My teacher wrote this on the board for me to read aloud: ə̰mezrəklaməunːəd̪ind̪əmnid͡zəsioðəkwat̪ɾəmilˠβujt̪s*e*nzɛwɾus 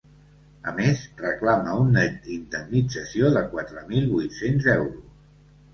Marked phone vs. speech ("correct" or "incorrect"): correct